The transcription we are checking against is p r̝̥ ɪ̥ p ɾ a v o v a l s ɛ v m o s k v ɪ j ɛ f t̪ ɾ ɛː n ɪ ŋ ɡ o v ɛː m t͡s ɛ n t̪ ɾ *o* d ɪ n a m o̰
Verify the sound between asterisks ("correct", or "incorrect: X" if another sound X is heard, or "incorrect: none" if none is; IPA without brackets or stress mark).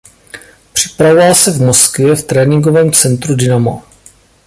incorrect: u